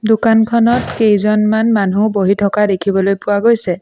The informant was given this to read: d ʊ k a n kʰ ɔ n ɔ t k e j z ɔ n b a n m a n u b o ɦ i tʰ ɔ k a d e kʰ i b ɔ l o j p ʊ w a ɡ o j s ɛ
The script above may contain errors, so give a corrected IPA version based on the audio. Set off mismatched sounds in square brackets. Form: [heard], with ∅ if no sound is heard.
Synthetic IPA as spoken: d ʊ k a n kʰ ɔ n ɔ t k e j z ɔ n [m] a n m a n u b o ɦ i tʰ ɔ k a d e kʰ i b ɔ l o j p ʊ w a ɡ o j s ɛ